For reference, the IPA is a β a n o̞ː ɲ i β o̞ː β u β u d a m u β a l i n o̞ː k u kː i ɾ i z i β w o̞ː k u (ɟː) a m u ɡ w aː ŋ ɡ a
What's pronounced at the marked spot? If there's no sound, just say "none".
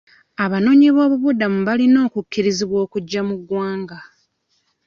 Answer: ɟː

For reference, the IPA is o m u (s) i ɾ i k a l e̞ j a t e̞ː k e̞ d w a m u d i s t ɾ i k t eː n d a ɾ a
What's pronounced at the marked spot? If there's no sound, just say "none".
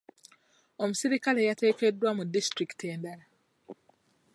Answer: s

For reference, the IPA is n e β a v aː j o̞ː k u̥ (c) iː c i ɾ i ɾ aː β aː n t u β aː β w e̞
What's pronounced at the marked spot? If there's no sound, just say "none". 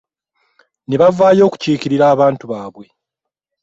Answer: c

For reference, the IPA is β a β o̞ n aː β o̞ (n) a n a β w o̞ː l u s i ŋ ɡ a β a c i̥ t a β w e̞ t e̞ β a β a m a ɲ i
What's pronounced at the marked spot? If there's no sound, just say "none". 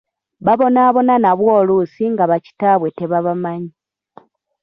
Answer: n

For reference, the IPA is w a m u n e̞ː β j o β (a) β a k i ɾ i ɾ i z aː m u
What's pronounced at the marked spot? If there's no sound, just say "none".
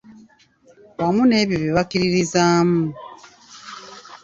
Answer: i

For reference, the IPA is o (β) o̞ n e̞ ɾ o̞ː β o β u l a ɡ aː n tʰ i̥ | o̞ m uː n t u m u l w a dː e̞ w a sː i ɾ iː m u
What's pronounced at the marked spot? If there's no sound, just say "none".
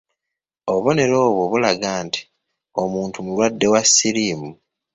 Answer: β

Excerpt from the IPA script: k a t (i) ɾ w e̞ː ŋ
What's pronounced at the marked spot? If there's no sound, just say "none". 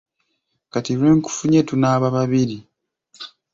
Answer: i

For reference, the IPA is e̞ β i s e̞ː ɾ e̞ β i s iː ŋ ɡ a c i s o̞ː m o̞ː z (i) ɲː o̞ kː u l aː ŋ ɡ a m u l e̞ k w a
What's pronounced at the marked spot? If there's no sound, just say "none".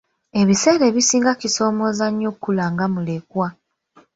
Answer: a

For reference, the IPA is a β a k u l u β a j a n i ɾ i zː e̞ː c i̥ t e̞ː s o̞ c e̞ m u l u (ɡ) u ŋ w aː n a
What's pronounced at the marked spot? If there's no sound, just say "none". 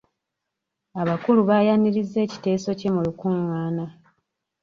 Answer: k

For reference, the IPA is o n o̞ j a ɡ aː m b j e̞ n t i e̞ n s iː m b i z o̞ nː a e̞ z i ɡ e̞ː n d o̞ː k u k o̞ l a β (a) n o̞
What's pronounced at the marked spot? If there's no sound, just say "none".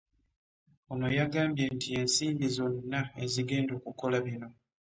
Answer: i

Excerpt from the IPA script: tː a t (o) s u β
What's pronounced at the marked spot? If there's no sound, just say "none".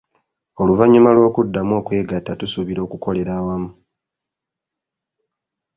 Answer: u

